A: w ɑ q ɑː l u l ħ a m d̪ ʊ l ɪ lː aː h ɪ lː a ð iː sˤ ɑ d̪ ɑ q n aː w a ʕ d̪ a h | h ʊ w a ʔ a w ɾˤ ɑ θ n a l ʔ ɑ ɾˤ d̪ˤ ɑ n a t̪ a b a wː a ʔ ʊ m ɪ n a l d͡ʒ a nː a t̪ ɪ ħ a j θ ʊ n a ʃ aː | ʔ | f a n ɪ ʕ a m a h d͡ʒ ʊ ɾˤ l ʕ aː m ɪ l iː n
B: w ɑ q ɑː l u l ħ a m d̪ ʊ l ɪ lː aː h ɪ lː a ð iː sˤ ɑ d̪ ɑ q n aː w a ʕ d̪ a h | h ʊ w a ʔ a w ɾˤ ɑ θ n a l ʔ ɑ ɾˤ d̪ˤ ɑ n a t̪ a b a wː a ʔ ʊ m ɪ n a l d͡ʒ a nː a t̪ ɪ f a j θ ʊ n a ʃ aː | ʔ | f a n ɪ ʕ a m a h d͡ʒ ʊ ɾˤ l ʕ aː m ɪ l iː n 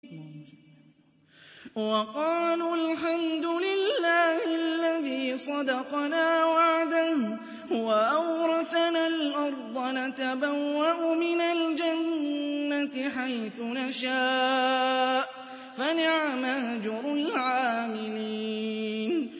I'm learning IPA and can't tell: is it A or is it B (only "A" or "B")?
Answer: A